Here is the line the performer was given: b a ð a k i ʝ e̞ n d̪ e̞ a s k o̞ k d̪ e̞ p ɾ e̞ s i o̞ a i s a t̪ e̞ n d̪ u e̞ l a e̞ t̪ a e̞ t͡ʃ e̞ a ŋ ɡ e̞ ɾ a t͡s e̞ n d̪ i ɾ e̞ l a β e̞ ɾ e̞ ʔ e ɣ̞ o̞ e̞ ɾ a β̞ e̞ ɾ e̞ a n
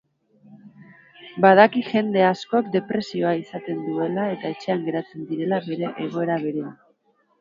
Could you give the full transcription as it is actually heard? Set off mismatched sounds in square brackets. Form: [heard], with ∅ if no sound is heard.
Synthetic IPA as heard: b a ð a k i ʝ e̞ n d̪ e̞ a s k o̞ k d̪ e̞ p ɾ e̞ s i o̞ a i s a t̪ e̞ n d̪ u e̞ l a e̞ t̪ a e̞ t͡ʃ e̞ a ŋ ɡ e̞ ɾ a t͡s e̞ n d̪ i ɾ e̞ l a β e̞ ɾ e̞ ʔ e ɣ̞ o̞ e̞ ɾ a β̞ e̞ ɾ e̞ a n